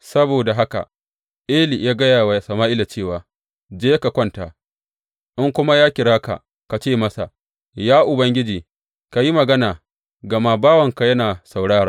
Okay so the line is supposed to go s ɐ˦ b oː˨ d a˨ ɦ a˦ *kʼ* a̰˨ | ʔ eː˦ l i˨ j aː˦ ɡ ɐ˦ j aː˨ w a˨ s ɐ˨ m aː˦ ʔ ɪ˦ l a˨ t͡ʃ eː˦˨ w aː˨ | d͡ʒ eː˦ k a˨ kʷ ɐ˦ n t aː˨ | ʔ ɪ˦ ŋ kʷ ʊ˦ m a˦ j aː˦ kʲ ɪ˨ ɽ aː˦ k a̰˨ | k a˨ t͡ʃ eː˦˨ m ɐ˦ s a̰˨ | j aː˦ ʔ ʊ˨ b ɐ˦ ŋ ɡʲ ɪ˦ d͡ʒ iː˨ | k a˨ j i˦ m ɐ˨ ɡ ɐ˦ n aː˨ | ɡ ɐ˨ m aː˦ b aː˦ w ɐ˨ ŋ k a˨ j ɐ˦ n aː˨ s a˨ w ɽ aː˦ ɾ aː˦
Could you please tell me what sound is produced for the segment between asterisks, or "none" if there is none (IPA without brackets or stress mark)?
k